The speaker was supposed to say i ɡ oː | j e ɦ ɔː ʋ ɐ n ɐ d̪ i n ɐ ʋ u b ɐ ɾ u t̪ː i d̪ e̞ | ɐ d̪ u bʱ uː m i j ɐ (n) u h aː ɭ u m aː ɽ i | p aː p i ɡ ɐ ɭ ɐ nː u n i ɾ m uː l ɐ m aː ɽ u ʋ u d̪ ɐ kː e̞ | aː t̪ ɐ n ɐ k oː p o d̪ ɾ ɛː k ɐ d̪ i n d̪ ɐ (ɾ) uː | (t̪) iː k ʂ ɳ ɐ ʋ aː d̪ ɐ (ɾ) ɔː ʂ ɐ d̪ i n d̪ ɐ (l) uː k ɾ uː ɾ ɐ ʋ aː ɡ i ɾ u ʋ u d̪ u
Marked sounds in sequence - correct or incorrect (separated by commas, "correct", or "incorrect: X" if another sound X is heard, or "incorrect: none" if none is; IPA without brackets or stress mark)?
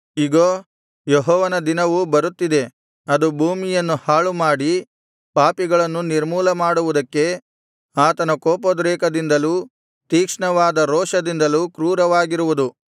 incorrect: nː, incorrect: l, correct, correct, correct